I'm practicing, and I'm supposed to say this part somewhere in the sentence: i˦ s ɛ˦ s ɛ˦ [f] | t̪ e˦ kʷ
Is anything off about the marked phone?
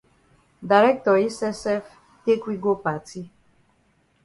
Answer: no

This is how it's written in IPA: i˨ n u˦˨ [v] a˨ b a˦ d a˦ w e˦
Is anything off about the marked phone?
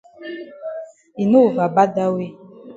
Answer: no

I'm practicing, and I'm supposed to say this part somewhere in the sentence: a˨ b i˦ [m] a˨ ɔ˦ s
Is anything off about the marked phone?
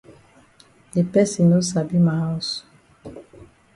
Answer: no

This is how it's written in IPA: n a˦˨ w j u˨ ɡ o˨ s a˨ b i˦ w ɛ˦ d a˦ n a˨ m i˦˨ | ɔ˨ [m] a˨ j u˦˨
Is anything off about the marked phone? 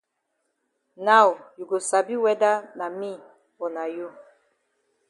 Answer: yes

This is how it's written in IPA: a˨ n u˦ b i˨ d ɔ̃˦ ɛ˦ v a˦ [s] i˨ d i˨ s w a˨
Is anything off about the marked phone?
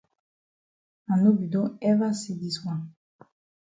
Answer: no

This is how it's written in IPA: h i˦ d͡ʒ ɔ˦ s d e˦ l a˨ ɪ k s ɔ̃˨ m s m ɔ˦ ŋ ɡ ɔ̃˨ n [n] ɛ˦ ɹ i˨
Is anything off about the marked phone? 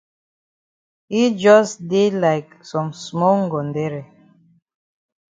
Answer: yes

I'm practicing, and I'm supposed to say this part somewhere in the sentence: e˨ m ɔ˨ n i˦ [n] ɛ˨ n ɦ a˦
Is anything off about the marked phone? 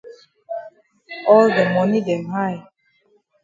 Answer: yes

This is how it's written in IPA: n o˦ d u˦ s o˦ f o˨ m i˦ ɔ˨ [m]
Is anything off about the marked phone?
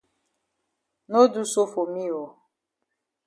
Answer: yes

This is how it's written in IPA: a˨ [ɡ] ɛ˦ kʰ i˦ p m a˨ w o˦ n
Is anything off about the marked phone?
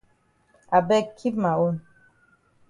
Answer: yes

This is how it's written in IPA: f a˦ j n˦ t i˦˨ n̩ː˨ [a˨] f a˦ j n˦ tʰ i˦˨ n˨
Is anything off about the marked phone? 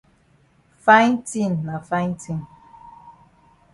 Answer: no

